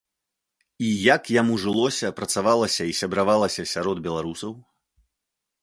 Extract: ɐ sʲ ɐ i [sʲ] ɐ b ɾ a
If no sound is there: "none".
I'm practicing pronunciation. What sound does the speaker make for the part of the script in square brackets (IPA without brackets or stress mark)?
sʲ